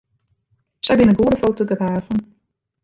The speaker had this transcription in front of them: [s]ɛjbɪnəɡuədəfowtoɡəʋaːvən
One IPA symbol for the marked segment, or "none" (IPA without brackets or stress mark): s